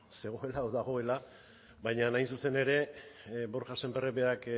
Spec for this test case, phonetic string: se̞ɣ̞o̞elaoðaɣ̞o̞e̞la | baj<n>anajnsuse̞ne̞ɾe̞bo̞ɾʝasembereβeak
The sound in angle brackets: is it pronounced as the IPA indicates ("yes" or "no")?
no